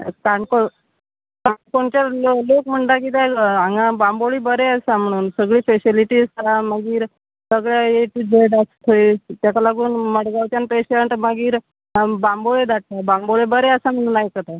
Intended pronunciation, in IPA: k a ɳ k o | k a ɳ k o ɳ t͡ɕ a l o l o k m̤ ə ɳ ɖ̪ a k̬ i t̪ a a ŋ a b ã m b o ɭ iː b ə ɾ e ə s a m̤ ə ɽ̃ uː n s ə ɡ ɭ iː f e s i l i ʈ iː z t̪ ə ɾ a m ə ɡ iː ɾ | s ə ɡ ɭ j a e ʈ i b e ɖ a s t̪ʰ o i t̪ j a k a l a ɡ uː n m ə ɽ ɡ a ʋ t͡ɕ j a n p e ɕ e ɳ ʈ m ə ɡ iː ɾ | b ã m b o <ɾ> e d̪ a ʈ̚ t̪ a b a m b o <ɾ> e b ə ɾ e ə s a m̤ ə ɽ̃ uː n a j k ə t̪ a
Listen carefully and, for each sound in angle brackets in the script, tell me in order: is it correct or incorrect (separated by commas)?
incorrect, incorrect